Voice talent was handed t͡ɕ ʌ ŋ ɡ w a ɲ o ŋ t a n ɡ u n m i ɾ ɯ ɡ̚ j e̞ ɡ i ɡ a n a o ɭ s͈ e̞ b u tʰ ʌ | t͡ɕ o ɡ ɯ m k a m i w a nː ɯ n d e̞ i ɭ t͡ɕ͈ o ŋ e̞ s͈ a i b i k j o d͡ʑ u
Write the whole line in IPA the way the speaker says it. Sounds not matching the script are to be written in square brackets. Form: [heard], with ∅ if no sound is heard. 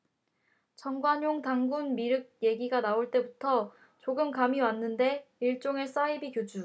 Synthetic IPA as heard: t͡ɕ ʌ ŋ ɡ w a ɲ o ŋ t a [ŋ] ɡ u n m i ɾ ɯ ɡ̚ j e̞ ɡ i ɡ a n a o ɭ [t͈] e̞ b u tʰ ʌ | t͡ɕ o ɡ ɯ m k a m i w a nː ɯ n d e̞ i ɭ t͡ɕ͈ o ŋ e̞ s͈ a i b i k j o d͡ʑ u